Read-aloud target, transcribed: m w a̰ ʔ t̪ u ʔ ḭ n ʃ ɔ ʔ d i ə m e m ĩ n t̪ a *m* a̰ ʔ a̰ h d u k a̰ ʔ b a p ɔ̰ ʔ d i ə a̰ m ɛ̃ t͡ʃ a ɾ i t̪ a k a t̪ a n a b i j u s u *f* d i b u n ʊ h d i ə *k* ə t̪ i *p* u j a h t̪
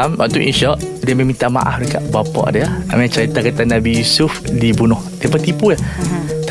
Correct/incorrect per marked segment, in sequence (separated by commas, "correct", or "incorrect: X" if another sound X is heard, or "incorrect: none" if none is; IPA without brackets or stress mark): correct, correct, incorrect: p, correct